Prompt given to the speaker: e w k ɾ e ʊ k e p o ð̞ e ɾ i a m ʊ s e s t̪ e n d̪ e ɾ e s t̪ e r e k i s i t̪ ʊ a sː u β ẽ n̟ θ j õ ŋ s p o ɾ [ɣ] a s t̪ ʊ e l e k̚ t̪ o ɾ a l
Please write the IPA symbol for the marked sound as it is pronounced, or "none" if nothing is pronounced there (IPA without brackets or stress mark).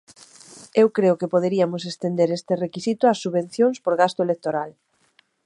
ɣ